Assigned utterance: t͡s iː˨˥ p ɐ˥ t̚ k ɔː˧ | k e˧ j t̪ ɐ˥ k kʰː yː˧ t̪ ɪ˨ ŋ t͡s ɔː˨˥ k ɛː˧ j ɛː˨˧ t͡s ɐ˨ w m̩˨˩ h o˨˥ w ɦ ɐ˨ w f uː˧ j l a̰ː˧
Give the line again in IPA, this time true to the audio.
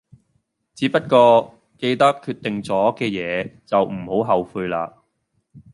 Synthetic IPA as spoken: t͡s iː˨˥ p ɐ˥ t̚ k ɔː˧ | k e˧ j t̪ ɐ˥ k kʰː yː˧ t̪ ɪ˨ ŋ t͡s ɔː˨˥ k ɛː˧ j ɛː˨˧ t͡s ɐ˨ w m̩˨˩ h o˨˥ w ɦ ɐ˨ w f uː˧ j l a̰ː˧

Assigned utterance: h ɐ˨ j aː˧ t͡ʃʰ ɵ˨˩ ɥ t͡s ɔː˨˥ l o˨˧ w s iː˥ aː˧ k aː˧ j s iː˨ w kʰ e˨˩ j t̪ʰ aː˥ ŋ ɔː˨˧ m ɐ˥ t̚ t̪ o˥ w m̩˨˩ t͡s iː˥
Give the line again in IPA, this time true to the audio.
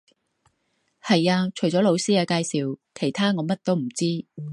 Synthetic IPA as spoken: h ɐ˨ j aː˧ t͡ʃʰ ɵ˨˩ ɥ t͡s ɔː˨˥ l o˨˧ w s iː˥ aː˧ k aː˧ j s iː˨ w kʰ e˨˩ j t̪ʰ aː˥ ŋ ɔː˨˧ m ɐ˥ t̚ t̪ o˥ w m̩˨˩ t͡s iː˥

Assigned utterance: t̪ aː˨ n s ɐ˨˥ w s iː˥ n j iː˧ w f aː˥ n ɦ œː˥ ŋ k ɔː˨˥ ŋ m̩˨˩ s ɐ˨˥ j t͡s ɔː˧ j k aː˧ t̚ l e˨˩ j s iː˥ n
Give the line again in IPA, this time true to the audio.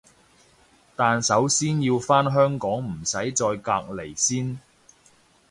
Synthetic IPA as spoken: t̪ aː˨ n s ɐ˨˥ w s iː˥ n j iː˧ w f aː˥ n ɦ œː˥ ŋ k ɔː˨˥ ŋ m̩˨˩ s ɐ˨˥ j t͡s ɔː˧ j k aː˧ k̚ l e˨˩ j s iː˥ n

